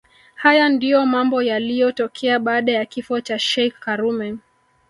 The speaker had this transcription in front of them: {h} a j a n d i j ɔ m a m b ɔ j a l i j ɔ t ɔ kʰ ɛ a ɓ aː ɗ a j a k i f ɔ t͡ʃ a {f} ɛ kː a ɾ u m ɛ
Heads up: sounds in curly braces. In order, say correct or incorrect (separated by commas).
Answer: correct, incorrect